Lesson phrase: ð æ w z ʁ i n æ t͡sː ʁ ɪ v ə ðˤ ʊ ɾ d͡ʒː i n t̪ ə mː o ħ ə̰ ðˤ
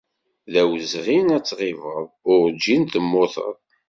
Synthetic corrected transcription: ð æ w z ʁ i n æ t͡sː ʁ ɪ v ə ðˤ ʊ ɾ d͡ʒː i n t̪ ə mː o θ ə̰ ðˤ